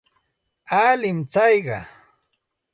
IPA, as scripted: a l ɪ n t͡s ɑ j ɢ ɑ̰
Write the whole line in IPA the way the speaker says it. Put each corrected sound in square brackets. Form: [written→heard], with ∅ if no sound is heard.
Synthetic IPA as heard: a l ɪ [n→m] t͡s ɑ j ɢ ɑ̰